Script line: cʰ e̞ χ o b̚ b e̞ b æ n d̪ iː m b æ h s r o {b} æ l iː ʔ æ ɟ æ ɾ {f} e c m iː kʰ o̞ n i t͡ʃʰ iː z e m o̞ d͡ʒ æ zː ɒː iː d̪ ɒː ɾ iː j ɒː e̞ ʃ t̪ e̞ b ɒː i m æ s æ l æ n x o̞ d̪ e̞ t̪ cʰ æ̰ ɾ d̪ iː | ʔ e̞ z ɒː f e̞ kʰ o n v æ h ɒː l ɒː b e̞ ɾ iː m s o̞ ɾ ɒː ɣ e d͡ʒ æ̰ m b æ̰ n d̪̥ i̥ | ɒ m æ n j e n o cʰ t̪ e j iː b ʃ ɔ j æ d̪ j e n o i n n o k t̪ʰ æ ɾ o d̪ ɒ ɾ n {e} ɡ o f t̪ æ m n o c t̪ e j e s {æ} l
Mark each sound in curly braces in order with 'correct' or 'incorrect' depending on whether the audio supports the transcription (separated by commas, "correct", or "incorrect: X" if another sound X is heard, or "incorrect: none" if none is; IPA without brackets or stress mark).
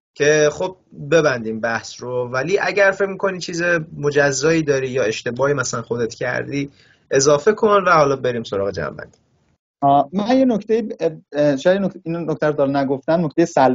incorrect: v, correct, incorrect: æ, correct